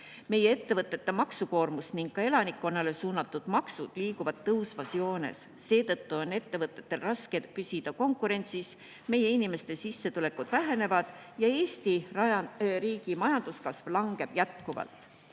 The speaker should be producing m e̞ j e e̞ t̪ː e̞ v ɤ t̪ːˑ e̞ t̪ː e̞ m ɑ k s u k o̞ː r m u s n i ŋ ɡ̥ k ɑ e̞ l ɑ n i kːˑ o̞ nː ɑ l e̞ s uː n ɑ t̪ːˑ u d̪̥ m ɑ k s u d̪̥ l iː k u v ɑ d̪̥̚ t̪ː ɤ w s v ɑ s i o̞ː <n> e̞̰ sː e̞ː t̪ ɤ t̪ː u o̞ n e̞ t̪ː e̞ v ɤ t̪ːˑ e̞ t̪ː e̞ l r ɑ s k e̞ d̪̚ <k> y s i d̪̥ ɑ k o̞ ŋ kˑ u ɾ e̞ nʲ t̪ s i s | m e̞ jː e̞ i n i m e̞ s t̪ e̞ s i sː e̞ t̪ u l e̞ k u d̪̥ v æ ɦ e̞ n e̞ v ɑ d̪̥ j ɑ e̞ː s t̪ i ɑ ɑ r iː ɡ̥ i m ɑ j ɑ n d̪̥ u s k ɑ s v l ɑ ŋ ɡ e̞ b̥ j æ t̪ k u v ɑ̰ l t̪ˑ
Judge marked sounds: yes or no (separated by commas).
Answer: yes, no